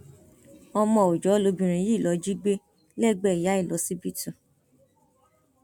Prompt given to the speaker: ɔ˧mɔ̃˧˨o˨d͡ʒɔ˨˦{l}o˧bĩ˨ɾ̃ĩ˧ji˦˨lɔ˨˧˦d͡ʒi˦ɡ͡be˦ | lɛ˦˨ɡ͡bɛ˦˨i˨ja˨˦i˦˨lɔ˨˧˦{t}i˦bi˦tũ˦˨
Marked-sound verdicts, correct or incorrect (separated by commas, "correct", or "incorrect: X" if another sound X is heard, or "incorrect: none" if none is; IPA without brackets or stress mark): correct, incorrect: s